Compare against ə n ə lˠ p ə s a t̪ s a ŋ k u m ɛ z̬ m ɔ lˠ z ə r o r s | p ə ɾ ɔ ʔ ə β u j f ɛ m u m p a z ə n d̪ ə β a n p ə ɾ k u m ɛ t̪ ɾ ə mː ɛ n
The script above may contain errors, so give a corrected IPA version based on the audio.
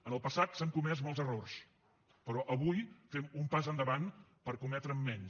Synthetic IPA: ə n ə lˠ p ə s a t̪ s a ŋ k u m ɛ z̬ m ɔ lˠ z ə r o r s | p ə ɾ ɔ ʔ ə β u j f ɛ m u m p a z ə n d̪ ə β a n p ə ɾ k u m ɛ t̪ ɾ ə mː ɛ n